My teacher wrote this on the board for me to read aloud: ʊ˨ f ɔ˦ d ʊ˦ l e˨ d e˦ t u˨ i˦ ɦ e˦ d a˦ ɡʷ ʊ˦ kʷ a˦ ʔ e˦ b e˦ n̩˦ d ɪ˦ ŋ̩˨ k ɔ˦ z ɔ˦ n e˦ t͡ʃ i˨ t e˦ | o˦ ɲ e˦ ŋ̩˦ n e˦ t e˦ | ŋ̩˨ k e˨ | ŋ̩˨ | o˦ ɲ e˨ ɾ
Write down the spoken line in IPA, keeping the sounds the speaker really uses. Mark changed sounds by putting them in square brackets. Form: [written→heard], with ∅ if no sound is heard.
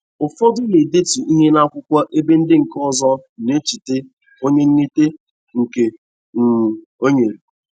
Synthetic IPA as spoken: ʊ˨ f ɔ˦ d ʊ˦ l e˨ d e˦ t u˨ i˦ ɦ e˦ [d→n] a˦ [ɡʷ→kʷ] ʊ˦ kʷ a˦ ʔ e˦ b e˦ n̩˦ d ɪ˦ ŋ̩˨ k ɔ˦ z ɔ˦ n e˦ t͡ʃ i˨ t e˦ | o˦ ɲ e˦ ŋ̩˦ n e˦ t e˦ | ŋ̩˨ k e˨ | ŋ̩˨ | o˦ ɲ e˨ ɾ